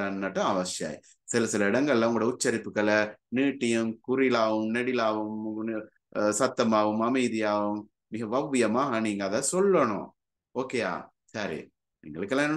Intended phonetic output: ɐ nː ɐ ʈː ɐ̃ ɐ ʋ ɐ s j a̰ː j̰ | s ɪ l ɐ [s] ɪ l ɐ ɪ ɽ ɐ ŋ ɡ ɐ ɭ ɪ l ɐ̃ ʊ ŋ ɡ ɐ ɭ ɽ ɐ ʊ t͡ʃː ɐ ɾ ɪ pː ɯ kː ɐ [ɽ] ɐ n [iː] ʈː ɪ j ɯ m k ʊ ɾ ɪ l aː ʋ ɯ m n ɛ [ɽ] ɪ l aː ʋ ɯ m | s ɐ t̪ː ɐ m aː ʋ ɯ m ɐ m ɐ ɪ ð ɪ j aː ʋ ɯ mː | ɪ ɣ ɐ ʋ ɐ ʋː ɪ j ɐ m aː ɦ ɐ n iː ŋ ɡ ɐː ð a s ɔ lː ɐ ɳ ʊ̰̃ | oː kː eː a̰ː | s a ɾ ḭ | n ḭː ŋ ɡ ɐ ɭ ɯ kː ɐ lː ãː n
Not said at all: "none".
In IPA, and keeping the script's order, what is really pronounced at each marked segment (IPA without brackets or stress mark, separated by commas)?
s, ɭ, iː, ɽ